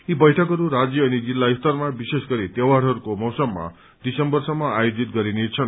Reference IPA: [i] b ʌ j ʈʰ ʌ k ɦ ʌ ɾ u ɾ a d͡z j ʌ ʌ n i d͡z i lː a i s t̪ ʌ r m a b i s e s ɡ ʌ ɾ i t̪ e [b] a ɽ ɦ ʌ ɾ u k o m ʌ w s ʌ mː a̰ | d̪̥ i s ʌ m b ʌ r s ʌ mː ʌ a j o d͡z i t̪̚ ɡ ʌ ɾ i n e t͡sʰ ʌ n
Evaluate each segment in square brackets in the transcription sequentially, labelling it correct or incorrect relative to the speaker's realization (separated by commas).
correct, incorrect